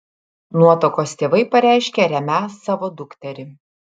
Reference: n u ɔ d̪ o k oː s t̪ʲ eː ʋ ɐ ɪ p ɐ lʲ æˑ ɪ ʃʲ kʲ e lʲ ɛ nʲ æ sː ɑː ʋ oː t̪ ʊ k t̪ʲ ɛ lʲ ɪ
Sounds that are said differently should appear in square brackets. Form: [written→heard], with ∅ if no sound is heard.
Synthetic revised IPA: n u ɔ [d̪→t̪] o k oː s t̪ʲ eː ʋ ɐ ɪ p ɐ [lʲ→ɾʲ] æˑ ɪ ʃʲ kʲ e [lʲ→ɾʲ] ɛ [nʲ→mʲ] æ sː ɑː ʋ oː [t̪→d̪] ʊ k t̪ʲ ɛ [lʲ→ɾʲ] ɪ

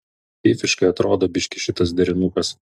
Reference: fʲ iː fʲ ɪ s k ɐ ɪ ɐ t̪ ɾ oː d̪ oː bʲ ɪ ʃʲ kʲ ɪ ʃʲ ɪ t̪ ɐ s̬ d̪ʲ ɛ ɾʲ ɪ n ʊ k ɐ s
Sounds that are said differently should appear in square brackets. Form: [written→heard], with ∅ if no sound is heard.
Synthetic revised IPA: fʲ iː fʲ ɪ [s→ʃ] k ɐ ɪ ɐ t̪ ɾ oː d̪ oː bʲ ɪ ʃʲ kʲ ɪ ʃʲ ɪ t̪ ɐ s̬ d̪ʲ ɛ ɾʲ ɪ n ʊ k ɐ s

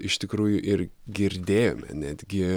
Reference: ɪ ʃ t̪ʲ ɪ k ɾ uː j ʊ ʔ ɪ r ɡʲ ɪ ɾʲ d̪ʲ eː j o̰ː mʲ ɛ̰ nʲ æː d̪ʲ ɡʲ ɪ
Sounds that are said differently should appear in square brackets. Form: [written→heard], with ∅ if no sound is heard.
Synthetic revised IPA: ɪ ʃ t̪ʲ ɪ k ɾ uː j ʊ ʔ ɪ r ɡʲ ɪ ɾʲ d̪ʲ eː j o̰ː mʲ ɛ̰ nʲ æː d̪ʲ ɡʲ ɪ

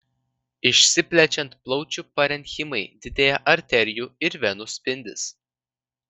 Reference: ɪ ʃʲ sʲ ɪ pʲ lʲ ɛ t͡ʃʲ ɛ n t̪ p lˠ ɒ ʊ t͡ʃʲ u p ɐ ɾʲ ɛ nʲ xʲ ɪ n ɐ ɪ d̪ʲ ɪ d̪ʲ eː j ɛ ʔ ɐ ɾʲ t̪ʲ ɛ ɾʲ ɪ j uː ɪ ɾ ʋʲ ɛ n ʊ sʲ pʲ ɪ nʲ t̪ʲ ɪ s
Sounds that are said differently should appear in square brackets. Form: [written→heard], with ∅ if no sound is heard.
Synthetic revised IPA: ɪ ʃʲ sʲ ɪ pʲ lʲ ɛ t͡ʃʲ ɛ n t̪ p lˠ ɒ ʊ t͡ʃʲ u p ɐ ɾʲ ɛ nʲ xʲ ɪ [n→m] ɐ ɪ d̪ʲ ɪ d̪ʲ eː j ɛ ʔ ɐ ɾʲ t̪ʲ ɛ ɾʲ ɪ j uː ɪ ɾ ʋʲ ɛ n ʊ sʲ pʲ ɪ nʲ [t̪ʲ→d̪ʲ] ɪ s

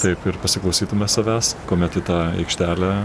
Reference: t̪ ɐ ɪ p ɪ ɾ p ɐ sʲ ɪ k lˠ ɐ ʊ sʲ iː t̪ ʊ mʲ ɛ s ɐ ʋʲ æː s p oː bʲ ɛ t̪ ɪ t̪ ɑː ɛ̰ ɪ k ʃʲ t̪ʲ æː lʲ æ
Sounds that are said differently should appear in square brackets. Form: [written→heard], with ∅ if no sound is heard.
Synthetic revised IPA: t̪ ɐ ɪ p ɪ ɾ p ɐ sʲ ɪ k lˠ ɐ ʊ sʲ iː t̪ ʊ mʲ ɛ s ɐ ʋʲ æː s [p→k] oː [bʲ→mʲ] ɛ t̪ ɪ t̪ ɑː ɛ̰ ɪ k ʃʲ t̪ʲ æː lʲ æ

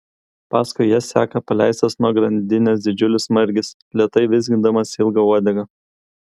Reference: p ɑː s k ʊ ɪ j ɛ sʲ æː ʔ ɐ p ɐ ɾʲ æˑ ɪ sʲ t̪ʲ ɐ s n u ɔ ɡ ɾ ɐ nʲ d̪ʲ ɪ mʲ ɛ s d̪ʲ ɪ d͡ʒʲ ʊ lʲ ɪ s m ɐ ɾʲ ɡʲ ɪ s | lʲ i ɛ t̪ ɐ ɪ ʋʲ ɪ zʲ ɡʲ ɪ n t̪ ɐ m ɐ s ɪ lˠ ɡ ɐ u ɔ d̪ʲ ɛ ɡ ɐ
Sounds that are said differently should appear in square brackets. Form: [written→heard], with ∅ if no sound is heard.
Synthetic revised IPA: p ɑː s k ʊ ɪ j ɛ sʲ æː [ʔ→k] ɐ p ɐ [ɾʲ→lʲ] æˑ ɪ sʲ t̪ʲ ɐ s n u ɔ ɡ ɾ ɐ nʲ d̪ʲ ɪ [mʲ→nʲ] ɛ s d̪ʲ ɪ d͡ʒʲ ʊ lʲ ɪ s m ɐ ɾʲ ɡʲ ɪ s | lʲ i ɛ t̪ ɐ ɪ ʋʲ ɪ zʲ ɡʲ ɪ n [t̪→d̪] ɐ m ɐ s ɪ lˠ ɡ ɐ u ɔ d̪ʲ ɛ ɡ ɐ

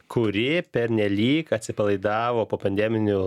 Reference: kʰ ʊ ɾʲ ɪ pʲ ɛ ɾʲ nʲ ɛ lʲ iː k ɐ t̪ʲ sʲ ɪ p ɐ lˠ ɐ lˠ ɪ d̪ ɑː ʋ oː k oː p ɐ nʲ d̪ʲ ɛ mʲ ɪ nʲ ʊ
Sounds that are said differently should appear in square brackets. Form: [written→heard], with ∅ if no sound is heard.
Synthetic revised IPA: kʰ ʊ ɾʲ ɪ pʲ ɛ ɾʲ nʲ ɛ lʲ iː k ɐ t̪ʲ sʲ ɪ p ɐ lˠ ɐ [lˠ→∅] ɪ d̪ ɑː ʋ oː [k→p] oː p ɐ nʲ d̪ʲ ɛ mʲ ɪ nʲ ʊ

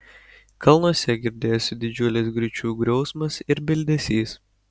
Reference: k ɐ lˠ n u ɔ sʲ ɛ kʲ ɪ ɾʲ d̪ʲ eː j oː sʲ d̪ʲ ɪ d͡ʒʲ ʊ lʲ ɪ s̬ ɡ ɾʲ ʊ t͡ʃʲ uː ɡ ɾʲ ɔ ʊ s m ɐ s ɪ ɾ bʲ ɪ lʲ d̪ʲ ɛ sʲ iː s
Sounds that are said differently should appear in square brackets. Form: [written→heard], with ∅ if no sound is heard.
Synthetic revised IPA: k ɐ lˠ n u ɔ sʲ ɛ [kʲ→ɡʲ] ɪ ɾʲ d̪ʲ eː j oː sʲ d̪ʲ ɪ d͡ʒʲ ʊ lʲ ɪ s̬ ɡ ɾʲ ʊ t͡ʃʲ uː ɡ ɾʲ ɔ ʊ s m ɐ s ɪ ɾ bʲ ɪ lʲ d̪ʲ ɛ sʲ iː s

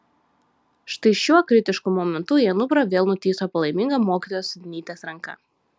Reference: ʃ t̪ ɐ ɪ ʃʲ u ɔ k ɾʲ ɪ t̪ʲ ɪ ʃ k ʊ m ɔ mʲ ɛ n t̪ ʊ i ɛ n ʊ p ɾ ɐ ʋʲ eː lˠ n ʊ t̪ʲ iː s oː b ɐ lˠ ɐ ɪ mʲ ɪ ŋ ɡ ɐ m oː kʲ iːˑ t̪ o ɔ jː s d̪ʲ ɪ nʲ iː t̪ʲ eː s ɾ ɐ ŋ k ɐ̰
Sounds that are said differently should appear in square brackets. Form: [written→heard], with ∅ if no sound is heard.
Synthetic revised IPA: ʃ t̪ ɐ ɪ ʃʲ u ɔ k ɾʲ ɪ t̪ʲ ɪ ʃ k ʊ m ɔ mʲ ɛ n t̪ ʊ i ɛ n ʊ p ɾ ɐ ʋʲ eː lˠ n ʊ t̪ʲ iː s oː [b→p] ɐ lˠ ɐ ɪ mʲ ɪ ŋ ɡ ɐ m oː kʲ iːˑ t̪ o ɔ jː s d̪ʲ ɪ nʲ iː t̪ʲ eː s ɾ ɐ ŋ k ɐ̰

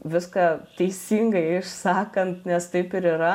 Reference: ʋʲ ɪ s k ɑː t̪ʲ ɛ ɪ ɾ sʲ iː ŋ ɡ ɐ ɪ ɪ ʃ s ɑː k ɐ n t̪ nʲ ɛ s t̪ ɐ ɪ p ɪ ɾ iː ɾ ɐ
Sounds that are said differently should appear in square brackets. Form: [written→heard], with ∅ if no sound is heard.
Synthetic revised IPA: ʋʲ ɪ s k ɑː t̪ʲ ɛ ɪ [ɾ→∅] sʲ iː ŋ ɡ ɐ ɪ ɪ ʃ s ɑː k ɐ n t̪ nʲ ɛ s t̪ ɐ ɪ p ɪ ɾ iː ɾ ɐ

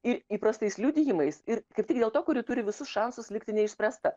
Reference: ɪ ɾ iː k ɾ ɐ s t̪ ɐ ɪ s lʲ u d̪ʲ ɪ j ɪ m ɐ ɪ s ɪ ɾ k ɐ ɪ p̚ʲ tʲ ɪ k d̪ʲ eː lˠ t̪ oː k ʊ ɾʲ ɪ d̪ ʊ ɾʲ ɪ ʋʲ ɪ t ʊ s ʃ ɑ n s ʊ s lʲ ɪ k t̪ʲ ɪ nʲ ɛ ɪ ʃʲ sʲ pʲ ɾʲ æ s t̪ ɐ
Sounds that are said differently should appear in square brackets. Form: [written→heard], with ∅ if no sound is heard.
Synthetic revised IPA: ɪ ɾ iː [k→p] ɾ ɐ s t̪ ɐ ɪ s lʲ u d̪ʲ ɪ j ɪ m ɐ ɪ s ɪ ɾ k ɐ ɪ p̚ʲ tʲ ɪ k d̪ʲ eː lˠ t̪ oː k ʊ ɾʲ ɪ [d̪→t̪] ʊ ɾʲ ɪ ʋʲ ɪ [t→s] ʊ s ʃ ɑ n s ʊ s lʲ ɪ k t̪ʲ ɪ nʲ ɛ ɪ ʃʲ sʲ pʲ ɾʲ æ s t̪ ɐ

